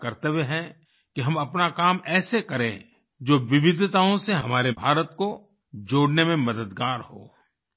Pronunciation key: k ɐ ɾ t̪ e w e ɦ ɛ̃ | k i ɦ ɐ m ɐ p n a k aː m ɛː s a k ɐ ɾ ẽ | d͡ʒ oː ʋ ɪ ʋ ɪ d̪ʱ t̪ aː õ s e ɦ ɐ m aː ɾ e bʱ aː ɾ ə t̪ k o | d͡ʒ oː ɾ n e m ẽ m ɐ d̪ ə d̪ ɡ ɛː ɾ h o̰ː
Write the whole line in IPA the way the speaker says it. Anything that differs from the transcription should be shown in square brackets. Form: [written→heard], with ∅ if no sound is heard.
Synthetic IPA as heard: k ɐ ɾ t̪ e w e ɦ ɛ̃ | k i ɦ ɐ m ɐ p n a k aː m ɛː s [a→e] k ɐ ɾ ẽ | d͡ʒ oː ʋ ɪ ʋ ɪ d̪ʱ t̪ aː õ s e ɦ ɐ m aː ɾ e bʱ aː ɾ ə t̪ k o | d͡ʒ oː [ɾ→ɽ] n e m ẽ m ɐ d̪ ə d̪ ɡ [ɛː→aː] ɾ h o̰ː